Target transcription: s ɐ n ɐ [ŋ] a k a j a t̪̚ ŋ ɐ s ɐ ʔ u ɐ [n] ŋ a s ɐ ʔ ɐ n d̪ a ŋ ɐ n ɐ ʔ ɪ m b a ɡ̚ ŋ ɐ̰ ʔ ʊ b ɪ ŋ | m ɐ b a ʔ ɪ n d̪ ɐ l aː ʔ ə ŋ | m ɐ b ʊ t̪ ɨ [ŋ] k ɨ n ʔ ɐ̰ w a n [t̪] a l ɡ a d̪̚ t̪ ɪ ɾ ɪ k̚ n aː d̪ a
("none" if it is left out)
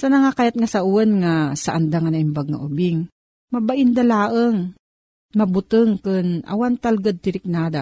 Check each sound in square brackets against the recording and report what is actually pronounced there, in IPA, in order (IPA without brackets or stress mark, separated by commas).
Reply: ŋ, n, ŋ, t̪